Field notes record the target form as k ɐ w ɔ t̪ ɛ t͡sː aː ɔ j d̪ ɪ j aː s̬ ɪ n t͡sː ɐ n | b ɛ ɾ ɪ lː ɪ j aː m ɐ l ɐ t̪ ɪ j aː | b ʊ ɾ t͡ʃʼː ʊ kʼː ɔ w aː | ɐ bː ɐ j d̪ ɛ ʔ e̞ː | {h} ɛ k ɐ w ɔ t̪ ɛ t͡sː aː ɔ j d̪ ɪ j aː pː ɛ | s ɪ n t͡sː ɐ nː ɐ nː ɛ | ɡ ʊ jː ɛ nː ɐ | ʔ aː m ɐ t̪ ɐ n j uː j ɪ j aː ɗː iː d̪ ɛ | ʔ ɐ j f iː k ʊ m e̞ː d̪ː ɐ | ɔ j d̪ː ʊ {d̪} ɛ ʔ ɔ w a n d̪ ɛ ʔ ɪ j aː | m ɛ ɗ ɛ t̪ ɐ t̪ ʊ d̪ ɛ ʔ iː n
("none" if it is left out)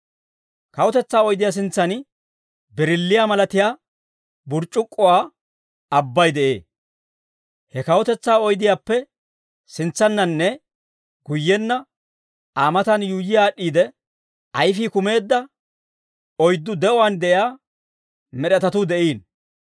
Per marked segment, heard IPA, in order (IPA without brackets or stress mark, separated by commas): h, d̪